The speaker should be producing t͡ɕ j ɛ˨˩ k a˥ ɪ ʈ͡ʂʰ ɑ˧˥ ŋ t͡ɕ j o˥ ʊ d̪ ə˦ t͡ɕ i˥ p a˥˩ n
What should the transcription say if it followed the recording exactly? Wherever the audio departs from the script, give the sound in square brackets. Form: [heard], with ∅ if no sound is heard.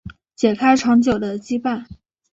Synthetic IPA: t͡ɕ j ɛ˨˩ [kʰ] a˥ ɪ ʈ͡ʂʰ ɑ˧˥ ŋ t͡ɕ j [o˨˩] ʊ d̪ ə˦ t͡ɕ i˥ p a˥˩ n